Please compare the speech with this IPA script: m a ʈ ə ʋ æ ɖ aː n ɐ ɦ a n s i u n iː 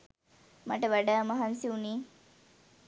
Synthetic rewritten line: m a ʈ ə ʋ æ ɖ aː m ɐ ɦ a n s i u n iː

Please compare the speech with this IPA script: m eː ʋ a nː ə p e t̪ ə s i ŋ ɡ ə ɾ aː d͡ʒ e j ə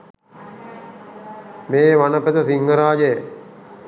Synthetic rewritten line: m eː ʋ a n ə p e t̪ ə s i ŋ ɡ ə ɾ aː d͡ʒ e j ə

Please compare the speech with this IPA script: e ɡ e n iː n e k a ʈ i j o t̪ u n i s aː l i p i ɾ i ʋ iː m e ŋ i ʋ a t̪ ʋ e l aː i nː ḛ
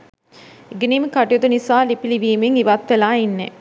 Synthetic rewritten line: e ɡ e n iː m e k a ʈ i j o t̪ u n i s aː l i p i l i ʋ iː m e ŋ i ʋ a t̪ ʋ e l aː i nː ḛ

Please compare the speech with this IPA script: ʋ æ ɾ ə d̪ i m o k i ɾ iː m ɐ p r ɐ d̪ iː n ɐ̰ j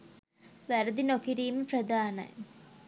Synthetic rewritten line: ʋ æ ɾ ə d̪ i n o k i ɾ iː m ə p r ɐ d̪ aː n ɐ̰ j

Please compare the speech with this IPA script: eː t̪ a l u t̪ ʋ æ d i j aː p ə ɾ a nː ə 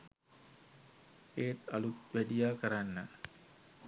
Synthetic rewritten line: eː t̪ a l u t̪ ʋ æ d i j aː k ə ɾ a nː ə

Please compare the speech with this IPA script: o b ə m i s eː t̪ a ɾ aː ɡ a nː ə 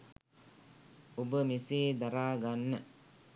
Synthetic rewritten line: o b ə m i s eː d̪ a ɾ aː ɡ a nː ə

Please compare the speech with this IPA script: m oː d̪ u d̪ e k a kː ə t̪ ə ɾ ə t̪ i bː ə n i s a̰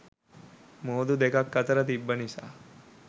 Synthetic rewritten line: m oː d̪ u d̪ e k a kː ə t̪ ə ɾ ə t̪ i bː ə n i s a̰

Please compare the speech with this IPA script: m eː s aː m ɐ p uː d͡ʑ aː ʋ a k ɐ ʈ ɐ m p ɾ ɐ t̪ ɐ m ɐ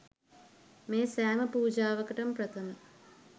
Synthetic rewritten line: m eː s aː m ɐ p uː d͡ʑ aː ʋ ɐ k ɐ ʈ ɐ m p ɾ ɐ t̪ʰ ɐ m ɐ

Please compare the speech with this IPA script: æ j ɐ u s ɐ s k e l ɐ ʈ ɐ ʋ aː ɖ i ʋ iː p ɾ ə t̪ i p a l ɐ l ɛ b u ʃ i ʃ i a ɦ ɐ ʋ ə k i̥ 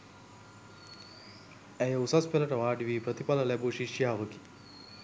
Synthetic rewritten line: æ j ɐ u s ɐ s p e l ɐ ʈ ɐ ʋ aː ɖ i ʋ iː p ɾ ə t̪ i p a l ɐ l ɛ b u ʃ i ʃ j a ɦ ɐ ʋ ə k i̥

